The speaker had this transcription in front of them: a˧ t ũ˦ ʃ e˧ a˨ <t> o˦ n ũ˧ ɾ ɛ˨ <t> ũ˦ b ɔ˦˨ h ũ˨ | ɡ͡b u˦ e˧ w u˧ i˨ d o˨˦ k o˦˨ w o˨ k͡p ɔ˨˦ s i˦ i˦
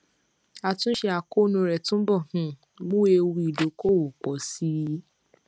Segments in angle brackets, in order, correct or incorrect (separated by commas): incorrect, correct